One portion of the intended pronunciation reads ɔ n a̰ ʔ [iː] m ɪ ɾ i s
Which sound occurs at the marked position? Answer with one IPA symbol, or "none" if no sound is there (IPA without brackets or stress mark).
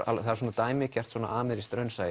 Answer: aː